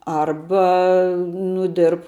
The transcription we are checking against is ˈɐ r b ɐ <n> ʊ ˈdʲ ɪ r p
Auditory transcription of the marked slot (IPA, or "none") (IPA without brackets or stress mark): n